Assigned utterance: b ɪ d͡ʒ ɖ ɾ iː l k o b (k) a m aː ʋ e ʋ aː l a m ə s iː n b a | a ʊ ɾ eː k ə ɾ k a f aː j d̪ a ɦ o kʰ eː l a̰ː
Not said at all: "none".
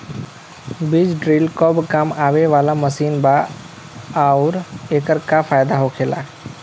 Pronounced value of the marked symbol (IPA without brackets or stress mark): k